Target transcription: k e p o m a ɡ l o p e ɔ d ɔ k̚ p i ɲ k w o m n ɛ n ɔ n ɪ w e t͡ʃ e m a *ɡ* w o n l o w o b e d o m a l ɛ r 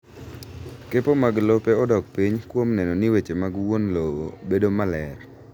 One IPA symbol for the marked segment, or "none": ɡ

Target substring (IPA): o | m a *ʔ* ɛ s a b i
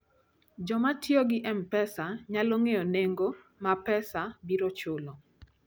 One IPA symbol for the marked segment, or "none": p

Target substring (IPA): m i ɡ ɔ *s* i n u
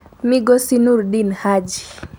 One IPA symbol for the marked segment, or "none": s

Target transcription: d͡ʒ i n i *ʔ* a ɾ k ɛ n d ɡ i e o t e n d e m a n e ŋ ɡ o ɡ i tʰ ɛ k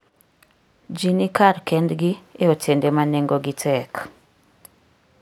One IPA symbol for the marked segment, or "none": k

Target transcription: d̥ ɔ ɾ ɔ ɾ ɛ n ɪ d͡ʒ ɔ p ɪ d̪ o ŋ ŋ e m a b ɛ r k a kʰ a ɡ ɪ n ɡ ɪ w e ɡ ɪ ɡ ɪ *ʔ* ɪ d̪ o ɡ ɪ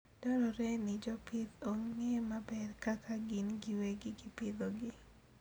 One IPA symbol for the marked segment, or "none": p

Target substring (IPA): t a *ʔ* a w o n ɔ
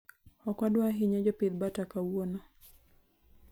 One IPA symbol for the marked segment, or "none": k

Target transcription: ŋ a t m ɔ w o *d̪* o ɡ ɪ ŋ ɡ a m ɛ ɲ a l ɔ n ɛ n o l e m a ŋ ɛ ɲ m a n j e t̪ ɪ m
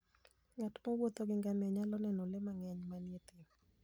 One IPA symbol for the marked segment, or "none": t̪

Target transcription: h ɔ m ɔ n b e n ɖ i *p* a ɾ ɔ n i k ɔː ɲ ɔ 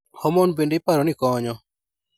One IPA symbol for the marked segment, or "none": p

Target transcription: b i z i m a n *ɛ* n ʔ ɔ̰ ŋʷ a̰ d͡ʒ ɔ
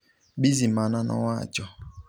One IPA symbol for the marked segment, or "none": a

